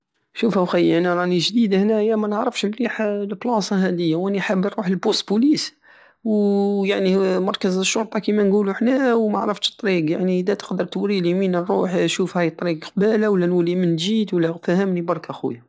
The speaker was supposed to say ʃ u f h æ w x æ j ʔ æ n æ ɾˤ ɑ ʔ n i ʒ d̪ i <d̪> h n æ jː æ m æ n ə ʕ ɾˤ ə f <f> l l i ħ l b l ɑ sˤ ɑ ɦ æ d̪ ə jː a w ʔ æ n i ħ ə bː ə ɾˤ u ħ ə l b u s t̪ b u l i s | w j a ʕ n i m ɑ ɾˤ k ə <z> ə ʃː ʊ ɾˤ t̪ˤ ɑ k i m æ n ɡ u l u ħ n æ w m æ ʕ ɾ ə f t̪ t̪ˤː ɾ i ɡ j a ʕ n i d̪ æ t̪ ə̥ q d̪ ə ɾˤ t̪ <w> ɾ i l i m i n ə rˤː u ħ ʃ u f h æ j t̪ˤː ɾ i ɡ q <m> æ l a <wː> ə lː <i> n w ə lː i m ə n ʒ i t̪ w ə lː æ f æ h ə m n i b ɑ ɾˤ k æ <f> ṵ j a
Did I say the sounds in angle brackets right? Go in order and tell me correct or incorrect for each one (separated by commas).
correct, incorrect, correct, correct, incorrect, incorrect, incorrect, incorrect